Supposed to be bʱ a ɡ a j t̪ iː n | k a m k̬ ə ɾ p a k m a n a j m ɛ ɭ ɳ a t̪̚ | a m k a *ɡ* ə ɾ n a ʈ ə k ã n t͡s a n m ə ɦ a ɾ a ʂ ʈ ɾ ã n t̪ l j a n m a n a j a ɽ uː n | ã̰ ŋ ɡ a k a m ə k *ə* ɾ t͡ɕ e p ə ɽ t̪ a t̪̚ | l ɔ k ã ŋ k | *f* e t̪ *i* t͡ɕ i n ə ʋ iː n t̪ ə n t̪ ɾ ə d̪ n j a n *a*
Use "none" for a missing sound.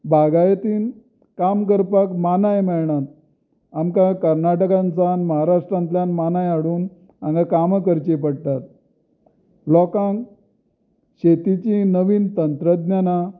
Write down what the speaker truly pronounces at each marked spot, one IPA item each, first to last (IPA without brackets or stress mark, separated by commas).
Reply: k, ə, ɕ, i, a